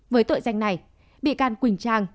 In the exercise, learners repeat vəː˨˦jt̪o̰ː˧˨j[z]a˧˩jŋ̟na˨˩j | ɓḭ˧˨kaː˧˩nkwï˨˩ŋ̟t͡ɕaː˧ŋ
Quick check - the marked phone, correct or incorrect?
correct